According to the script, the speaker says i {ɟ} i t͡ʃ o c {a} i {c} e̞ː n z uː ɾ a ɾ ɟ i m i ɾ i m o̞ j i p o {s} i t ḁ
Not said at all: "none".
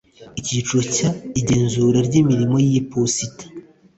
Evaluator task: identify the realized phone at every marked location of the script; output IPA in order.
c, a, ɟ, s

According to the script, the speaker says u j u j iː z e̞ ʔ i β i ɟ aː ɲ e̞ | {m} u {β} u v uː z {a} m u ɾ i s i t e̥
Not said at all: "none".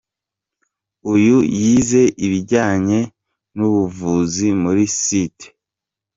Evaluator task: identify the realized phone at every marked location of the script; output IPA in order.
n, β, i

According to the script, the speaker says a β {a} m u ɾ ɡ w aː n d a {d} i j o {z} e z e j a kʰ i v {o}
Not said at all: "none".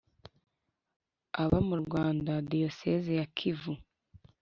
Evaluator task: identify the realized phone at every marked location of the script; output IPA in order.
a, d, s, u

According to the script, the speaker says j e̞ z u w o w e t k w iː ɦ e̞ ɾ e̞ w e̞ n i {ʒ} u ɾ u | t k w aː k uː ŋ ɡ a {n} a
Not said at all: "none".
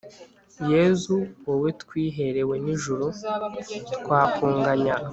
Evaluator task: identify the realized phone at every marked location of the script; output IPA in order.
ʒ, ɲ

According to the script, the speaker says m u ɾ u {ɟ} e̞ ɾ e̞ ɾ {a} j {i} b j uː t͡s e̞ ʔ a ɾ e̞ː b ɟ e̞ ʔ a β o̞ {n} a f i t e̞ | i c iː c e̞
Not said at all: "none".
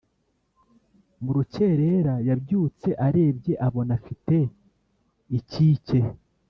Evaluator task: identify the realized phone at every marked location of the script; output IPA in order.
c, a, a, n

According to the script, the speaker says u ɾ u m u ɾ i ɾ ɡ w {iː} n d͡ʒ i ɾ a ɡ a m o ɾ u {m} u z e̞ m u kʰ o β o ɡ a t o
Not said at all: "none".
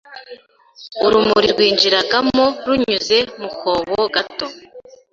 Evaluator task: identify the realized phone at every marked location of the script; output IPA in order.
iː, ɲ

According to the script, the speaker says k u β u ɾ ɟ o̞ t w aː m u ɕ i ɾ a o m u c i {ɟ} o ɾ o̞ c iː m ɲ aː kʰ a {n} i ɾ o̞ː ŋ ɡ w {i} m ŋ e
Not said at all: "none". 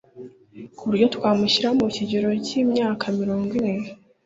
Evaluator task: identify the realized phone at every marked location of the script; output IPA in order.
ɟ, m, i

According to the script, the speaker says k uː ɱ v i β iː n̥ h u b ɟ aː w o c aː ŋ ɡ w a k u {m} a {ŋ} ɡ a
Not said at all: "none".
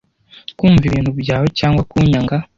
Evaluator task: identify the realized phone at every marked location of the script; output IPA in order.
ɲ, ŋ

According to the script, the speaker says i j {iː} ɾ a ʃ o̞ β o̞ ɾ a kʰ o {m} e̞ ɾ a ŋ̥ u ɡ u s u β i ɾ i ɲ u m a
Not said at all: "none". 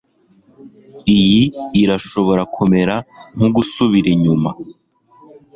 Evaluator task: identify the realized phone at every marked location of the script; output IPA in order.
iː, m

